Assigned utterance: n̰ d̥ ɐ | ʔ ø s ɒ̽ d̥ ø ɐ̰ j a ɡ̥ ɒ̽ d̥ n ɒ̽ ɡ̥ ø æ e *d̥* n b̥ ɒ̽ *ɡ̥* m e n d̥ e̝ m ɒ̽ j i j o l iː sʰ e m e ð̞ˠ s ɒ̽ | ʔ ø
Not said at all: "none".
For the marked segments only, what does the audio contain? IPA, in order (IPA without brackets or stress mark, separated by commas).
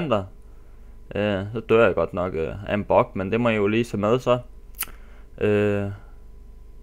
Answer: none, ɡ̥